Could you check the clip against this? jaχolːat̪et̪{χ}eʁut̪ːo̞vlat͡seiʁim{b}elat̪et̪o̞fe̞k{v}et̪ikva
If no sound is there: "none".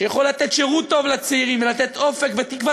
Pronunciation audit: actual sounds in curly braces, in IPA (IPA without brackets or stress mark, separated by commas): ʃ, v, v